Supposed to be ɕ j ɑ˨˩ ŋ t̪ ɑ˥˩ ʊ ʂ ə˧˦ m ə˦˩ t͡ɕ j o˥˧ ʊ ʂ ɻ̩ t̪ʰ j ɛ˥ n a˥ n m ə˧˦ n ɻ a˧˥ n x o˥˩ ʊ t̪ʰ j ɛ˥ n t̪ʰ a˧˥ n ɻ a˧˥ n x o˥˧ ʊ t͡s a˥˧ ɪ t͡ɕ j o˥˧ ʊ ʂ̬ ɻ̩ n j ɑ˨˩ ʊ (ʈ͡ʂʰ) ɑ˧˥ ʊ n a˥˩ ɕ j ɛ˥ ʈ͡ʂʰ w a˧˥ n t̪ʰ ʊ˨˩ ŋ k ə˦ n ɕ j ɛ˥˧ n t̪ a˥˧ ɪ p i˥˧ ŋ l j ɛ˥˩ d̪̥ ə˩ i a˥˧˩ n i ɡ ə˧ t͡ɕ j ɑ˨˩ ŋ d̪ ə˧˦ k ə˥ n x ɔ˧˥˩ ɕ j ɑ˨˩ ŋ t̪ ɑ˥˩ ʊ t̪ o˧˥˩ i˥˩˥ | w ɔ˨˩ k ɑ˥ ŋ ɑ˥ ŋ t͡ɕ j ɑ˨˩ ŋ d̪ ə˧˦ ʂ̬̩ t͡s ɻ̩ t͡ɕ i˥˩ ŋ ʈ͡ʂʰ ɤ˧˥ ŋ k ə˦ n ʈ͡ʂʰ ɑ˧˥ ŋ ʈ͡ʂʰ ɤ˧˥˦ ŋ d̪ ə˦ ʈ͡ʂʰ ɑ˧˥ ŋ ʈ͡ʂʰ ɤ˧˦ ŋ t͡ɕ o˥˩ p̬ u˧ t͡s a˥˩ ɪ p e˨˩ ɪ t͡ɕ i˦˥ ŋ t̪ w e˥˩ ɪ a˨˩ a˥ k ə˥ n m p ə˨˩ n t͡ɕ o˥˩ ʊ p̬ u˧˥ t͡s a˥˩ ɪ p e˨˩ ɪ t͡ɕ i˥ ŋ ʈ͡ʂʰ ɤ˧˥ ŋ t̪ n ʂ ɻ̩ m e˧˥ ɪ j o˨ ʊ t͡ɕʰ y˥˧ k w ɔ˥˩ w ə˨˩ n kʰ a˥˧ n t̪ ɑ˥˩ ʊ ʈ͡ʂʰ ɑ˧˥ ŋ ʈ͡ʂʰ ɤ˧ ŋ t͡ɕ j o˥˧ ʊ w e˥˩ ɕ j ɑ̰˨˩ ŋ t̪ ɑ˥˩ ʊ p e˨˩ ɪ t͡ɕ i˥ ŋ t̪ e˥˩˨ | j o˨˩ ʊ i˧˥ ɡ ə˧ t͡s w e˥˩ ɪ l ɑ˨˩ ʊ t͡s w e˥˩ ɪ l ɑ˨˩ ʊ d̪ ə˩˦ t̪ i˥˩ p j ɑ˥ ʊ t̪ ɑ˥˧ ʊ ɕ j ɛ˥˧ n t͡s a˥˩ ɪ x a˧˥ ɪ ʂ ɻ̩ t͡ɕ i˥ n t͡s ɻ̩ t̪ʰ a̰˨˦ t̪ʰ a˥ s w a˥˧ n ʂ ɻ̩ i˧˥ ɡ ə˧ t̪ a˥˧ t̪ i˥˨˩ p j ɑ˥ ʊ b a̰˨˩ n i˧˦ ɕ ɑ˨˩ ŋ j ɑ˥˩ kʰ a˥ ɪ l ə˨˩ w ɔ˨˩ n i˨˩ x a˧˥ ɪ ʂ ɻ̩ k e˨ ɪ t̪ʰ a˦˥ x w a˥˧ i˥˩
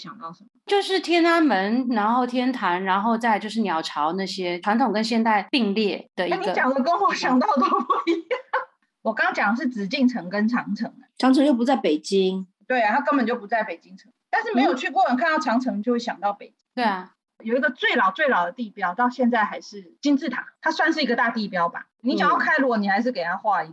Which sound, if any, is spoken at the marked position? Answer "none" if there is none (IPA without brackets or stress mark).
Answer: ʈ͡ʂʰ